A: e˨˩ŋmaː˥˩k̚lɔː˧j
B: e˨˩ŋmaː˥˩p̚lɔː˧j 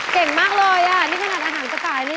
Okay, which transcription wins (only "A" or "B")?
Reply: A